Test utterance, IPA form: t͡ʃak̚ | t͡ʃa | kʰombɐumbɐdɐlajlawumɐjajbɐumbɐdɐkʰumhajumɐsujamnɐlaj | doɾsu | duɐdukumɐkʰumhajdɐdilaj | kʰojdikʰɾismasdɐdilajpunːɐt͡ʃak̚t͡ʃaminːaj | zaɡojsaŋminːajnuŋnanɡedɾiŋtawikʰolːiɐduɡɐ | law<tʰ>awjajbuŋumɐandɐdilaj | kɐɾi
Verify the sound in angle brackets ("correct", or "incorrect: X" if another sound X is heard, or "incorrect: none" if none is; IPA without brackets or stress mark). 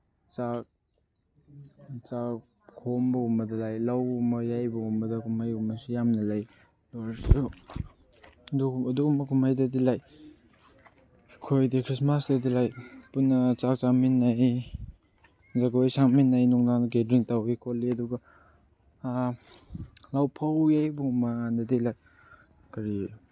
incorrect: pʰ